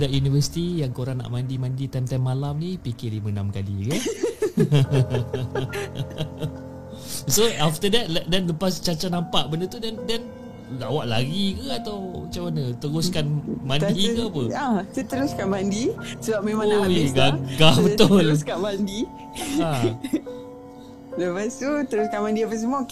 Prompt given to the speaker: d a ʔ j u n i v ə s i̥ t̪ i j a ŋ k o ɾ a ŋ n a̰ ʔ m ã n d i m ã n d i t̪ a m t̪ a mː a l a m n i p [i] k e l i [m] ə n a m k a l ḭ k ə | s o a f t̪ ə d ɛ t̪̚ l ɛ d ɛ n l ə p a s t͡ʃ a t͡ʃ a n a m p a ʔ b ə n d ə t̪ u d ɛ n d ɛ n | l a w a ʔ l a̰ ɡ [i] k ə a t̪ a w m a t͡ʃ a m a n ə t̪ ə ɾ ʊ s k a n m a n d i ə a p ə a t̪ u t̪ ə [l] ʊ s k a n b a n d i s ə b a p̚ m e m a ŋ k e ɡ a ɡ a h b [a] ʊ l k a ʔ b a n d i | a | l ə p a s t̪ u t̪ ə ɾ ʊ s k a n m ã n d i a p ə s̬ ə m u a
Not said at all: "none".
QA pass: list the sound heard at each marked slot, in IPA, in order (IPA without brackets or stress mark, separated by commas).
i, m, i, ɾ, ə